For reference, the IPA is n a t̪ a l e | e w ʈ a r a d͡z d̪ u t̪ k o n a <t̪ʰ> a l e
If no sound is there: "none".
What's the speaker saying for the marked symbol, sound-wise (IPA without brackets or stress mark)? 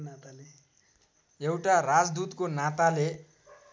t̪